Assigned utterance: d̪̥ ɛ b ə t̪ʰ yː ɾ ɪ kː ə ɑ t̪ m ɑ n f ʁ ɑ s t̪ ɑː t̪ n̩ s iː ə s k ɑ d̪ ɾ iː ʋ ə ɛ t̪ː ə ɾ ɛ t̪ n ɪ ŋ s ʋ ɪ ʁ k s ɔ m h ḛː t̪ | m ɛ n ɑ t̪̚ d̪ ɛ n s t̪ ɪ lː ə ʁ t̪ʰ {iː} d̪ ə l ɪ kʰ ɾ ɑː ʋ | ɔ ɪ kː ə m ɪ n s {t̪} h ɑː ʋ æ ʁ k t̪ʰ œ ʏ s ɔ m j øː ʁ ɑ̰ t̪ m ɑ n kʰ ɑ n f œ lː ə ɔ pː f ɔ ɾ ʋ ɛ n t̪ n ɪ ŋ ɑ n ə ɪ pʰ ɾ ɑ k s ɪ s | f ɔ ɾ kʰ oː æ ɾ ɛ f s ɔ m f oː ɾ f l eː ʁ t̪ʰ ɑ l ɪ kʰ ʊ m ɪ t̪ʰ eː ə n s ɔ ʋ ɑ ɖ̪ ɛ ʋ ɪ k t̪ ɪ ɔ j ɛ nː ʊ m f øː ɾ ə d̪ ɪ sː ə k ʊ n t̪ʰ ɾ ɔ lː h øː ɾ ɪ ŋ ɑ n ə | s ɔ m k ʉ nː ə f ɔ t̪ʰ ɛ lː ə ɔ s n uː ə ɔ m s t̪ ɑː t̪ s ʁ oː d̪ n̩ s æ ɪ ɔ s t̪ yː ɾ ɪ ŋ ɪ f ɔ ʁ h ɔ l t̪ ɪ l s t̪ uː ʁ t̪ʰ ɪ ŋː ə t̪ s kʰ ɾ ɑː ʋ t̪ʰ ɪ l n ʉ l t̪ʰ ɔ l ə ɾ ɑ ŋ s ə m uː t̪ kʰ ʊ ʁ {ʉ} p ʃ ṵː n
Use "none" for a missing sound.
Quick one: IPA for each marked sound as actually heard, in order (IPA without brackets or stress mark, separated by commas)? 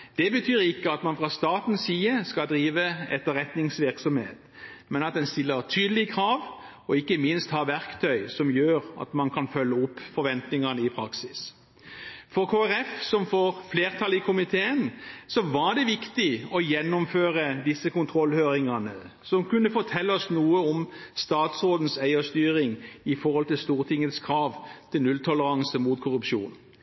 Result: yː, t̪, ʉ